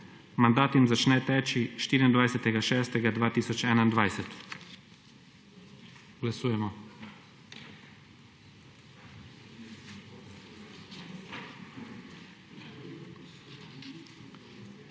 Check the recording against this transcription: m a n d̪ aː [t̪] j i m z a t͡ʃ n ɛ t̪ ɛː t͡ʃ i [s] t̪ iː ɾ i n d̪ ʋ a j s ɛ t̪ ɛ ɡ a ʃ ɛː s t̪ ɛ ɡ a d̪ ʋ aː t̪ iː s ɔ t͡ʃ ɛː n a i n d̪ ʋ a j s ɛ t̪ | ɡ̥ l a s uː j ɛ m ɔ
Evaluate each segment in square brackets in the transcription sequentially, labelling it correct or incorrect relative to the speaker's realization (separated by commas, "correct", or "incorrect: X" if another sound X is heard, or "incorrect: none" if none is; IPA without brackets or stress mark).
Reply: correct, incorrect: ʃ